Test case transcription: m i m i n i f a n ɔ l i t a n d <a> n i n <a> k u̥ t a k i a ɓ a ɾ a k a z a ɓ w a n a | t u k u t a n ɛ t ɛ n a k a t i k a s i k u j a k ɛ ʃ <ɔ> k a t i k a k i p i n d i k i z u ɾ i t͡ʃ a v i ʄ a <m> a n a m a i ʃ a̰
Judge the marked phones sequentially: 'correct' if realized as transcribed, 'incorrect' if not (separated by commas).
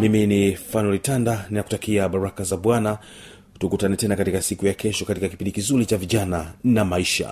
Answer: correct, correct, correct, incorrect